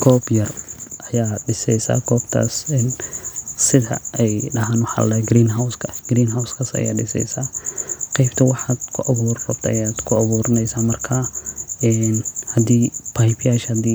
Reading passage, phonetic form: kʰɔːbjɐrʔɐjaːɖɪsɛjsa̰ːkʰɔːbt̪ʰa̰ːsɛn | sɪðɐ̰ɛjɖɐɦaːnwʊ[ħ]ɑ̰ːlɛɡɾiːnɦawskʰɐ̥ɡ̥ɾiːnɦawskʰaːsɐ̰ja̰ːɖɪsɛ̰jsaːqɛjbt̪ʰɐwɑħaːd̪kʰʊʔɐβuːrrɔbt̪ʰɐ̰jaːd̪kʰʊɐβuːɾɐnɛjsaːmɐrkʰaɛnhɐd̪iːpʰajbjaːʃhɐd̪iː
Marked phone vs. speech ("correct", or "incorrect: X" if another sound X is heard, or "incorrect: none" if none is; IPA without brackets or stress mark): correct